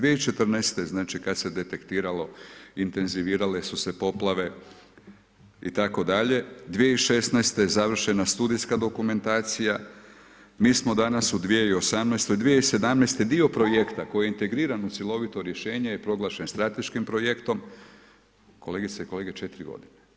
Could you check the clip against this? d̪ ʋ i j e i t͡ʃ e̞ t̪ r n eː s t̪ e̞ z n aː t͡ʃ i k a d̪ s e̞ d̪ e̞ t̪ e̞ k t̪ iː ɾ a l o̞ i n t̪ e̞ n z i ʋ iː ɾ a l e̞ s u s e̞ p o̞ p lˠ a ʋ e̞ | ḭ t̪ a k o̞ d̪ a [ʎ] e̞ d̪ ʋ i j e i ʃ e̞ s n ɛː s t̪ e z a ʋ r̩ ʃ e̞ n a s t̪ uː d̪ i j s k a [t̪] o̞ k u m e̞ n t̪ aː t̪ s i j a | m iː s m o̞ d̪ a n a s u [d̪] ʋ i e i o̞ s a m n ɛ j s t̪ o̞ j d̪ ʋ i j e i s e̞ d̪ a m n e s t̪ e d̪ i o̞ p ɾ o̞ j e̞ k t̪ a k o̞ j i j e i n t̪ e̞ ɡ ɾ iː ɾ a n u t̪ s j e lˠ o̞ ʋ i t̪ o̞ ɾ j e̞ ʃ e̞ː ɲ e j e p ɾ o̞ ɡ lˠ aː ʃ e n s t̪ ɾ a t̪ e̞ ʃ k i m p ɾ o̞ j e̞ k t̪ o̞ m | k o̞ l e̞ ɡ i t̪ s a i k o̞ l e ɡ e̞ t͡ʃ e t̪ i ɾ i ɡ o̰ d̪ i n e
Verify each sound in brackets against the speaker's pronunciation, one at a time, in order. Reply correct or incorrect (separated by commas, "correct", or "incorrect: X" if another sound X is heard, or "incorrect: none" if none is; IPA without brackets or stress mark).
correct, incorrect: d̪, correct